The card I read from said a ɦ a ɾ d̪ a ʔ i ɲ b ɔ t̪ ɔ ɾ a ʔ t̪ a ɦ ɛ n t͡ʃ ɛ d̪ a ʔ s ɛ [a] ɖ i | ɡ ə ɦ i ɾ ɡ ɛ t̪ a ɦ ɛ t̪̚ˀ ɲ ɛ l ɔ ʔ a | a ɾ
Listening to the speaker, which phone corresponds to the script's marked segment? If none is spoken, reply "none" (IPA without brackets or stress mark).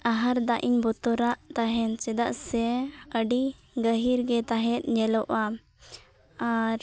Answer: ə